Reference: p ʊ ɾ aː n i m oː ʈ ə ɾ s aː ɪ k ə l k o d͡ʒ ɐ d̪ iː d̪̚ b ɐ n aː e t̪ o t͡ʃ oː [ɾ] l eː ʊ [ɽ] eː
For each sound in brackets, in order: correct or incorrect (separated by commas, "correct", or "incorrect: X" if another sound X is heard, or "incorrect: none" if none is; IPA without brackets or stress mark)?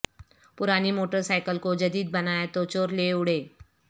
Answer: correct, correct